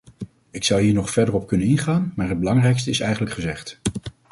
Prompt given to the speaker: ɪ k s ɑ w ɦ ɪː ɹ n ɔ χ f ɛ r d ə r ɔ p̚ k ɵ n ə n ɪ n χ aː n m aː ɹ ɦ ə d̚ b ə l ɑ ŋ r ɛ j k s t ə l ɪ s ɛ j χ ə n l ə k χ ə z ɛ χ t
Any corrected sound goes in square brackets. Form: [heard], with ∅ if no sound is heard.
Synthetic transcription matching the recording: ɪ k s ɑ w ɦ [iː] ɹ n ɔ χ f ɛ [ɹ] d ə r ɔ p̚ k ɵ n ə n ɪ n χ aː n m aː ɹ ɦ ə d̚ b ə l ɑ ŋ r ɛ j k s t ə [∅] ɪ s ɛ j χ ə n l ə k χ ə z ɛ χ t